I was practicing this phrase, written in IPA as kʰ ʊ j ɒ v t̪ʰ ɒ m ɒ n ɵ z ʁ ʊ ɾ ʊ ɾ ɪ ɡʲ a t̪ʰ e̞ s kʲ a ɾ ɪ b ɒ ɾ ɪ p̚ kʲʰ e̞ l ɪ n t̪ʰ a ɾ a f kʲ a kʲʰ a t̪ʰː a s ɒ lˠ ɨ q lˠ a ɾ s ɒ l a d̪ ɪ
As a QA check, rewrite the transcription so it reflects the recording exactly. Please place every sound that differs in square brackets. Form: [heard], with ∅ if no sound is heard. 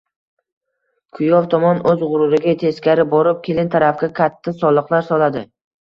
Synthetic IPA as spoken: kʰ ʊ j ɒ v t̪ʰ ɒ m ɒ n ɵ z ʁ ʊ ɾ ʊ ɾ ɪ ɡʲ a t̪ʰ e̞ s kʲ a ɾ ɪ b ɒ ɾ ɪ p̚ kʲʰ e̞ l ɪ n t̪ʰ a ɾ a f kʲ a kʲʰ a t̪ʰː a s ɒ lˠ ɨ q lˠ a ɾ s ɒ l a d̪ ɪ